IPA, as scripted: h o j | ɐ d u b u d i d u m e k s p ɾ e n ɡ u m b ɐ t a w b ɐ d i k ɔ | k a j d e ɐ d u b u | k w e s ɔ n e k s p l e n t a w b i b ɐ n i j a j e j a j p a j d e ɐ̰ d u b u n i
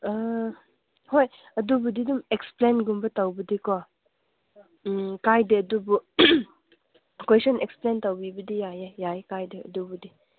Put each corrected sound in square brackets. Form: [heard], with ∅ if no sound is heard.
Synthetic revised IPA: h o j | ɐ d u b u d i d u m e k s p [l] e n ɡ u m b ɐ t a w b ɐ d i k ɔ | k a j d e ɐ d u b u | k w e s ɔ n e k s p l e n t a w b i b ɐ [d] i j a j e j a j [k] a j d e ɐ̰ d u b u [d] i

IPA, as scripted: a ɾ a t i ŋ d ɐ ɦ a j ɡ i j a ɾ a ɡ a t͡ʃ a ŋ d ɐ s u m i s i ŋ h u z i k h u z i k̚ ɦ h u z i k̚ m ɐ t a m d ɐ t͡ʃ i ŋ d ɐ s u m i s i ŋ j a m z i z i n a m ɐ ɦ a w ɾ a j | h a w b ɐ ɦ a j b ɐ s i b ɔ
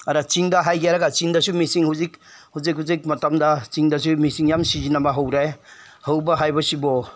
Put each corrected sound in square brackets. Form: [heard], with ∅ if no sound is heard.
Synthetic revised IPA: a ɾ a [t͡ʃ] i ŋ d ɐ ɦ a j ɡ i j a ɾ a ɡ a t͡ʃ [i] ŋ d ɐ s u m i s i ŋ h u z i k h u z i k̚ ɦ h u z i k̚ m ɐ t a m d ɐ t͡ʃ i ŋ d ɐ s u m i s i ŋ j a m [s] i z i n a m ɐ ɦ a w ɾ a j | h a w b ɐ ɦ a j b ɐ s i b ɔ

